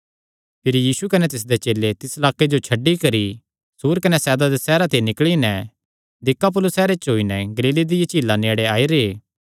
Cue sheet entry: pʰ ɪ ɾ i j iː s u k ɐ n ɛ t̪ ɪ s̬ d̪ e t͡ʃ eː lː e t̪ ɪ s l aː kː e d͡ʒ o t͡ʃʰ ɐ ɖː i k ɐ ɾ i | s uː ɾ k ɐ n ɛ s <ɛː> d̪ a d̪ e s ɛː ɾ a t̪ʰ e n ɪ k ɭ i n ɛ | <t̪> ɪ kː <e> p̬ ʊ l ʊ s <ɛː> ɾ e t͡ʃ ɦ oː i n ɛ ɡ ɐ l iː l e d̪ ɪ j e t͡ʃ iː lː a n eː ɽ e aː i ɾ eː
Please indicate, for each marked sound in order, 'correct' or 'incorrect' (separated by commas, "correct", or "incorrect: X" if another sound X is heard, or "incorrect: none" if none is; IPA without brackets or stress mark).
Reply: correct, incorrect: d̪, incorrect: a, correct